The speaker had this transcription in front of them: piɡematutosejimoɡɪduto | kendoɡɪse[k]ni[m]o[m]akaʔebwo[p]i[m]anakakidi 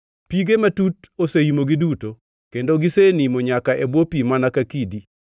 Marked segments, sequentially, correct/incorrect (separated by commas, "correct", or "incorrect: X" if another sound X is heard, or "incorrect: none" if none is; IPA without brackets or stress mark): incorrect: none, correct, incorrect: ɲ, correct, correct